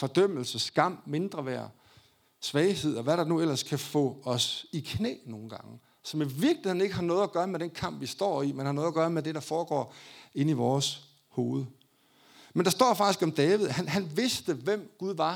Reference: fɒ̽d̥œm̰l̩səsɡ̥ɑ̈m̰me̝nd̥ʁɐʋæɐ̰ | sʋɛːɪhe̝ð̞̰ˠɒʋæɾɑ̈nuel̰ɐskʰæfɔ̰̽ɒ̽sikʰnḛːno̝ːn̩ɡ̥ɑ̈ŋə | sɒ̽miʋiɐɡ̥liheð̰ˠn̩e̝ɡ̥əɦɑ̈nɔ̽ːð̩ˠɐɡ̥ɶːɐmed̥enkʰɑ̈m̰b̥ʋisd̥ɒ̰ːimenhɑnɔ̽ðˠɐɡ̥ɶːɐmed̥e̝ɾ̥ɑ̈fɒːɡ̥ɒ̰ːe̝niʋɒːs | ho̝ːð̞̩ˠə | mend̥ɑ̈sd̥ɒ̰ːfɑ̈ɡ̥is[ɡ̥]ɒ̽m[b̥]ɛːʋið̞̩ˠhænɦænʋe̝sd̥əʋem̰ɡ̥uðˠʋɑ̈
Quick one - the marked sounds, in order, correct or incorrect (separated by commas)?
correct, incorrect